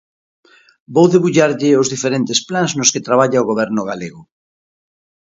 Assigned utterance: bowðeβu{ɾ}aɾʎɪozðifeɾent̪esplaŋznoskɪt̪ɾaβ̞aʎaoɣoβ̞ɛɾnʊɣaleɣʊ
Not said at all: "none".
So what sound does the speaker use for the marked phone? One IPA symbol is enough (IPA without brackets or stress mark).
ʎ